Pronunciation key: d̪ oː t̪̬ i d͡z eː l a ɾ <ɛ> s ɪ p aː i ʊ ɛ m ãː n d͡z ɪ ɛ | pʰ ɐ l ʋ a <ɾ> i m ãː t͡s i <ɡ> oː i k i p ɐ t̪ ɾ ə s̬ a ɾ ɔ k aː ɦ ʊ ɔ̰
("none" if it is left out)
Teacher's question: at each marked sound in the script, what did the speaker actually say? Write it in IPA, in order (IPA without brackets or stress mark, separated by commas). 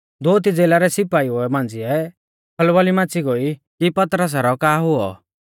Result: ɛ, l, ɡ